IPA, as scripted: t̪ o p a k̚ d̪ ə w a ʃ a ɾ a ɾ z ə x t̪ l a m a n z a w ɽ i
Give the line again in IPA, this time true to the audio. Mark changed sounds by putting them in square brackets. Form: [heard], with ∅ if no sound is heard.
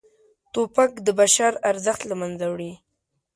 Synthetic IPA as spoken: t̪ o p a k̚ d̪ ə [b] a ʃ a ɾ a ɾ z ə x t̪ l a m a n z a w ɽ i